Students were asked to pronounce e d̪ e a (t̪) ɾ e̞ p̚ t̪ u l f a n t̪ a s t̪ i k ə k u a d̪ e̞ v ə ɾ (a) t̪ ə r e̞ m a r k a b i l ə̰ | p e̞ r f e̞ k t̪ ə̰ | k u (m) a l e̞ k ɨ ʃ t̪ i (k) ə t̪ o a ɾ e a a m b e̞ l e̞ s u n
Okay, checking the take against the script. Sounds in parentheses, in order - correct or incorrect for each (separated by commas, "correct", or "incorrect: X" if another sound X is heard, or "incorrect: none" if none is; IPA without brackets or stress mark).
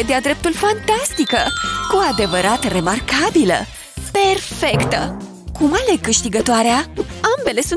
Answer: incorrect: d̪, correct, correct, incorrect: ɡ